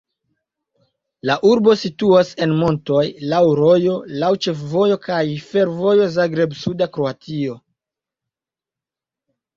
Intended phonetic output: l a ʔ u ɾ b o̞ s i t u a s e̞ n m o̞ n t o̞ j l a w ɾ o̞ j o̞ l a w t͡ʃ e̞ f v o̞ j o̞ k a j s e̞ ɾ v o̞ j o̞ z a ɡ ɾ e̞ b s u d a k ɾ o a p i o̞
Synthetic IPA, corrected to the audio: l a ʔ u ɾ b o̞ s i t u a s e̞ n m o̞ n t o̞ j l a w ɾ o̞ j o̞ l a w t͡ʃ e̞ f v o̞ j o̞ k a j f e̞ ɾ v o̞ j o̞ z a ɡ ɾ e̞ b s u d a k ɾ o a t i o̞